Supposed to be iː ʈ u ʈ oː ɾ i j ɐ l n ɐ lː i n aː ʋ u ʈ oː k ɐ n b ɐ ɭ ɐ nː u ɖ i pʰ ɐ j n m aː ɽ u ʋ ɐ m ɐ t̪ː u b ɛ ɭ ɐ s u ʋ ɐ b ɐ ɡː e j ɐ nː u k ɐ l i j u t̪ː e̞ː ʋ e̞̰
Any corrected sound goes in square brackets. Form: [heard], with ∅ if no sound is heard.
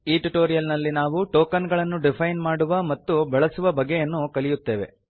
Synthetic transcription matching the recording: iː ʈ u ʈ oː ɾ i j ɐ l n ɐ lː i n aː ʋ u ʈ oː k ɐ n [ɡ] ɐ ɭ ɐ nː u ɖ i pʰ ɐ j n m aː ɽ u ʋ ɐ m ɐ t̪ː u b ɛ ɭ ɐ s u ʋ ɐ b ɐ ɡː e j ɐ nː u k ɐ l i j u t̪ː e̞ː ʋ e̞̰